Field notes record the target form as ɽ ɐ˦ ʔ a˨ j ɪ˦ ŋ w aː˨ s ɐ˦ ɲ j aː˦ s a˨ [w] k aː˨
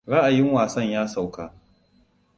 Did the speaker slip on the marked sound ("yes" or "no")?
no